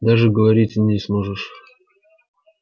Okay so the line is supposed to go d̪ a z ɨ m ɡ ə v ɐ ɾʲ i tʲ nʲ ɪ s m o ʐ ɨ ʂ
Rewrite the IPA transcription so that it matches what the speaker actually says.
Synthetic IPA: d̪ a ʐ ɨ ɡ ə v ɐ ɾʲ i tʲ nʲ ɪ s m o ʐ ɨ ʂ

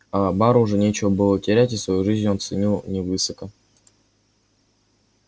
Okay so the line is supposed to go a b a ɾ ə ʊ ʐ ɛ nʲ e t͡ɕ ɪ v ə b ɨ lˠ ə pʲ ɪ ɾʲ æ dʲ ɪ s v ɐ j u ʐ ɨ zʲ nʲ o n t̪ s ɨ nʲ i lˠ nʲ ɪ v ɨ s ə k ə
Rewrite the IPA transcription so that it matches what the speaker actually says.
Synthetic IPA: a b a ɾ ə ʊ ʐ ɛ nʲ e t͡ɕ ɪ v ə b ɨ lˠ ə tʲ ɪ ɾʲ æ tʲ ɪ s v ɐ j u ʐ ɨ zʲ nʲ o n t̪ s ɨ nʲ i lˠ nʲ ɪ v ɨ s ə k ə

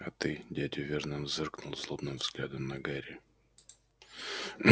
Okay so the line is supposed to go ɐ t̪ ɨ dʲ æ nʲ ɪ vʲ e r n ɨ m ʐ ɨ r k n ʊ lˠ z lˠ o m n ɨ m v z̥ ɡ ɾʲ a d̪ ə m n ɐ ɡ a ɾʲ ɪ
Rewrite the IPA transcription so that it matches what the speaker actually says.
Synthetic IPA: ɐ t̪ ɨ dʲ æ dʲ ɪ vʲ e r n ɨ m z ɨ r k n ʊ lˠ z lˠ o b n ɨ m v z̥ ɡ lʲ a d̪ ə m n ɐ ɡ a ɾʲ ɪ

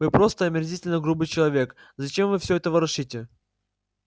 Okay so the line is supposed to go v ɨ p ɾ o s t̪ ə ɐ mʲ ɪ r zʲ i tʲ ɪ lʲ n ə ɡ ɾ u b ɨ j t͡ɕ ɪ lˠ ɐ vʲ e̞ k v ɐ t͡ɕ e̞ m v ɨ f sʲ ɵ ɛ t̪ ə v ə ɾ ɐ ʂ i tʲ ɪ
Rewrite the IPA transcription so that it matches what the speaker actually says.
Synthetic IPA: v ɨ p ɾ o s t̪ ə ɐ mʲ ɪ r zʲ i tʲ ɪ lʲ n ə ɡ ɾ u b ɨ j t͡ɕ ɪ lˠ ɐ vʲ e̞ k z ɐ t͡ɕ e̞ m v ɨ f sʲ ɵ ɛ t̪ ə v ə ɾ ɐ ʂ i tʲ ɪ

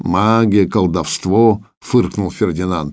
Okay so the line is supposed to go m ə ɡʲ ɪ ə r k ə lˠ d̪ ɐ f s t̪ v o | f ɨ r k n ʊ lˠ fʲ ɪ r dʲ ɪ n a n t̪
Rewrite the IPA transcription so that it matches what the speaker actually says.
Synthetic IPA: m a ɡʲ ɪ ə k ə lˠ d̪ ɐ f s t̪ v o | f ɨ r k n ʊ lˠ fʲ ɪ r dʲ ɪ n a n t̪

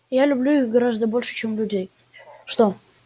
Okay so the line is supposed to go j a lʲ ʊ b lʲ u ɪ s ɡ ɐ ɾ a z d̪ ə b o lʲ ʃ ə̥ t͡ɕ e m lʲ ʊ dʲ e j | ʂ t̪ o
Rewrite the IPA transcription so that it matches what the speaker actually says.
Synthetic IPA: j a lʲ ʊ b lʲ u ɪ x ɡ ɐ ɾ a z d̪ ə b o lʲ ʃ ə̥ t͡ɕ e m lʲ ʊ dʲ e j | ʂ t̪ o

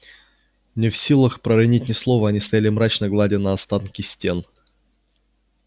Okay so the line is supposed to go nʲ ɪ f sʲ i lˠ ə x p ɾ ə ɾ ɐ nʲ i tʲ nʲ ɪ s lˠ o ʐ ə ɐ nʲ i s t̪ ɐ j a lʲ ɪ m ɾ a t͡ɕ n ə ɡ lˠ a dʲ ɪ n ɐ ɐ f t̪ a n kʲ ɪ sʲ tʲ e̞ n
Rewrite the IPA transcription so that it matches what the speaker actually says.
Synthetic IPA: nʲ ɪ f sʲ i lˠ ə x p ɾ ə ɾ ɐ nʲ i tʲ nʲ ɪ s lˠ o v ə ɐ nʲ i s t̪ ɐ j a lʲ ɪ m ɾ a t͡ɕ n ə ɡ lˠ a dʲ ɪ n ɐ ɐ s t̪ a n kʲ ɪ sʲ tʲ e̞ n

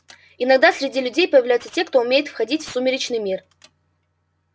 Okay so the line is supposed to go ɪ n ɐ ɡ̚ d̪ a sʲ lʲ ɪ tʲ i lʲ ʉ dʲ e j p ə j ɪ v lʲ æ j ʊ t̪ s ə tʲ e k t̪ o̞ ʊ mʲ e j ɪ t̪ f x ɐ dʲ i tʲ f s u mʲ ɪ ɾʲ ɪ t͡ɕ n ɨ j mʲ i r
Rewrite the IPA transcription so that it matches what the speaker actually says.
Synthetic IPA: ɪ n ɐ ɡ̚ d̪ a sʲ ɾʲ ɪ dʲ i lʲ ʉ dʲ e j p ə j ɪ v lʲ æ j ʊ t̪ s ə tʲ e k t̪ o̞ ʊ mʲ e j ɪ t̪ f x ɐ dʲ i tʲ f s u mʲ ɪ ɾʲ ɪ t͡ɕ n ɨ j mʲ i r

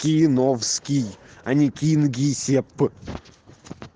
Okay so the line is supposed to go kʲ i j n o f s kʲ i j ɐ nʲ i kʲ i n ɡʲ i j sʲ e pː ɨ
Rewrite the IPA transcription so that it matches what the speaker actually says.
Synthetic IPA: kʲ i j n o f s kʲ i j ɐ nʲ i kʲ i n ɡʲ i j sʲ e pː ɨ

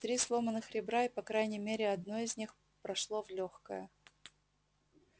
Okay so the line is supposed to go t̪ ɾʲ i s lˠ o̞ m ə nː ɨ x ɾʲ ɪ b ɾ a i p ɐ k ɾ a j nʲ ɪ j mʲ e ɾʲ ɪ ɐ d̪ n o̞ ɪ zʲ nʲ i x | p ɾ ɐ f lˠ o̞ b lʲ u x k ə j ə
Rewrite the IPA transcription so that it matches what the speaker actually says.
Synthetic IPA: t̪ ɾʲ i s lˠ o̞ m ə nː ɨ x ɾʲ ɪ b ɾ a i p ɐ k ɾ a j nʲ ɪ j mʲ e ɾʲ ɪ ɐ d̪ n o̞ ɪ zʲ nʲ i x | p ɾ ɐ ʂ lˠ o̞ v lʲ o x k ə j ə

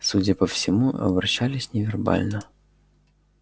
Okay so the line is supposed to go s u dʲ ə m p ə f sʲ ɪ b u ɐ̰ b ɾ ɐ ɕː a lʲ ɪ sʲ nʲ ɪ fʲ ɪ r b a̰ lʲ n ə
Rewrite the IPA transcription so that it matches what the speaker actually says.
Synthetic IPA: s u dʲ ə p ə f sʲ ɪ m u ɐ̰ b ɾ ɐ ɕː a lʲ ɪ sʲ nʲ ɪ vʲ ɪ r b a̰ lʲ n ə

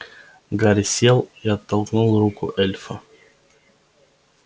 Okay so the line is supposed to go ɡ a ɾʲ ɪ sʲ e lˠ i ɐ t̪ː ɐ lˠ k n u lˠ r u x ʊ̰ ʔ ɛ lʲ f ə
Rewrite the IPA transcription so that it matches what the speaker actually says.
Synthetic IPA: ɡ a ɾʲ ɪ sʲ e lˠ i ɐ t̪ː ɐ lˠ k n u lˠ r u k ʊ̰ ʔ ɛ lʲ f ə

